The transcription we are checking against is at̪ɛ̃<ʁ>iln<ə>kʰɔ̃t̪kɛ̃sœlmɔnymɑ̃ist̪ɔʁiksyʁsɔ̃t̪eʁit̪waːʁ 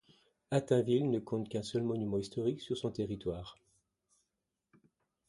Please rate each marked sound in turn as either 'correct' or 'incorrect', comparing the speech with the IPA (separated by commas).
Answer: incorrect, correct